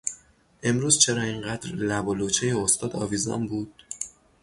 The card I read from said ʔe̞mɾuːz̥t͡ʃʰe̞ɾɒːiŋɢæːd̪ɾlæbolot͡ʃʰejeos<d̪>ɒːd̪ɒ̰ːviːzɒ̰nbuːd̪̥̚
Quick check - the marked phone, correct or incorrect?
incorrect: t̪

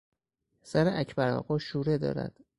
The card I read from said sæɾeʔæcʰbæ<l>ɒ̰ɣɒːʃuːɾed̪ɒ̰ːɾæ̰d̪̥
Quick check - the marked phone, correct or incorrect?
incorrect: ɾ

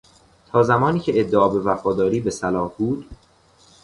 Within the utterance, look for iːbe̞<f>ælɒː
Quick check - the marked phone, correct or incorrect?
incorrect: s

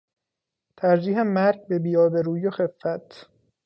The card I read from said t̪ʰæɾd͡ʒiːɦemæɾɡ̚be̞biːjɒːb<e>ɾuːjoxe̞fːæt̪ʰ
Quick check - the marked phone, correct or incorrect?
correct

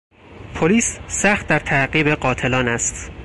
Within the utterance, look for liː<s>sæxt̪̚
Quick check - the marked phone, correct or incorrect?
correct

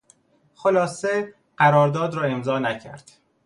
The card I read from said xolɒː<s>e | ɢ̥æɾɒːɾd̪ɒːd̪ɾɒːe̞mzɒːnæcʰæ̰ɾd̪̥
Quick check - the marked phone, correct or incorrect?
correct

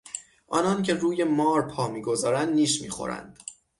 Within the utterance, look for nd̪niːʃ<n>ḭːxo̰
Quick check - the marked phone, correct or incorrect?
incorrect: m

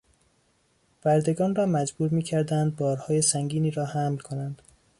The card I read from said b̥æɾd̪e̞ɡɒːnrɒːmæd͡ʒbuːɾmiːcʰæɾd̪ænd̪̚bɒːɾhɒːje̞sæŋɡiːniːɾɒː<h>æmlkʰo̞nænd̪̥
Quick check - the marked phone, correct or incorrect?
correct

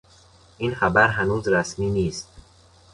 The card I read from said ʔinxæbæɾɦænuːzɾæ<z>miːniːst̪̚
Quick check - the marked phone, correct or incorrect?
incorrect: s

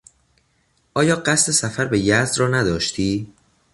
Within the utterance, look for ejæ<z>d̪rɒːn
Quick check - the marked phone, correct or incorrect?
correct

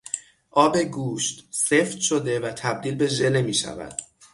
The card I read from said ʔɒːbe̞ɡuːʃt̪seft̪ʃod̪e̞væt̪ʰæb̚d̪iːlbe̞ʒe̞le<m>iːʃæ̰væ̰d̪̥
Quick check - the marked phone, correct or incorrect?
correct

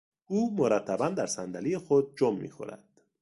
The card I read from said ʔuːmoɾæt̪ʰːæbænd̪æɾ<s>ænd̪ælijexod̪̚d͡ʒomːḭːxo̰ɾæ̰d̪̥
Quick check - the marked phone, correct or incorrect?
correct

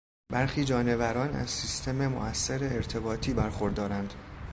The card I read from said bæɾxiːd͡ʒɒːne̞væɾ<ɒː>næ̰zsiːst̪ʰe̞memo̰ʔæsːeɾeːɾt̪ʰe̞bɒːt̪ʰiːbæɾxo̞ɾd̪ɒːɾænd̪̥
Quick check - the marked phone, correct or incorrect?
correct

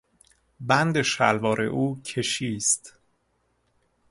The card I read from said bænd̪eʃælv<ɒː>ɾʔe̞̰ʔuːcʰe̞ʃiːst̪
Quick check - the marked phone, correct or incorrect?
correct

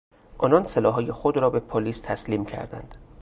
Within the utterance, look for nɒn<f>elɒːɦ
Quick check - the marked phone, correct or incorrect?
incorrect: s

